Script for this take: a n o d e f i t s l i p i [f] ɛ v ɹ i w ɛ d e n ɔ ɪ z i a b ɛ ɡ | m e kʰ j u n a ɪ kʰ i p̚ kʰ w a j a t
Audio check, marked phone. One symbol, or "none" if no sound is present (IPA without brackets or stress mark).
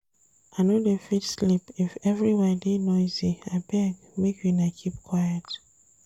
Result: f